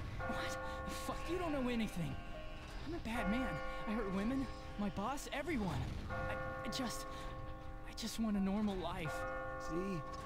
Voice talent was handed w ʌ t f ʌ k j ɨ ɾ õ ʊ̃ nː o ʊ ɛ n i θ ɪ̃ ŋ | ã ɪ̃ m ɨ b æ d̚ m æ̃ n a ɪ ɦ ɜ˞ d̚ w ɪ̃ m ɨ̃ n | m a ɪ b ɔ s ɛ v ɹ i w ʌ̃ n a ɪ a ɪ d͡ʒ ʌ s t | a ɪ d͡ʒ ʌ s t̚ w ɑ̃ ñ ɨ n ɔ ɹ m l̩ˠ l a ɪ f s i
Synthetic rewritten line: w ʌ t f ʌ k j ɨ ɾ õ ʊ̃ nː o ʊ ɛ n i θ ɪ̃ ŋ | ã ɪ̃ m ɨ b æ d̚ m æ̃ n a ɪ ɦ ɜ˞ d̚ w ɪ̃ m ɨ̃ n | m a ɪ b ɔ s ɛ v ɹ i w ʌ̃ n a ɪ a ɪ d͡ʒ ʌ s t | a ɪ d͡ʒ ʌ s t̚ w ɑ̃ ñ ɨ n ɔ ɹ m l̩ˠ l a ɪ f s i